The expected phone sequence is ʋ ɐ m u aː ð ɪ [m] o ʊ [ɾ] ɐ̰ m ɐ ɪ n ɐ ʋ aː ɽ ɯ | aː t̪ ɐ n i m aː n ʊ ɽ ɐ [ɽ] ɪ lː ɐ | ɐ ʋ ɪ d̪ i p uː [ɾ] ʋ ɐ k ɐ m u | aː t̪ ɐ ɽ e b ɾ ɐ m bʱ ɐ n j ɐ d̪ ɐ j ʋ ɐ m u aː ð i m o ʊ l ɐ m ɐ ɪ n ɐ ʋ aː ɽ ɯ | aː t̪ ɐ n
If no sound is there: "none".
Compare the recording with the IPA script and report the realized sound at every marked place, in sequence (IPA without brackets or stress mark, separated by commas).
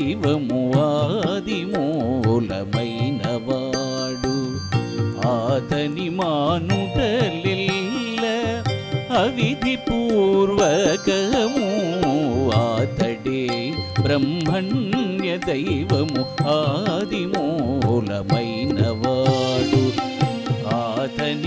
m, l, l, ɾ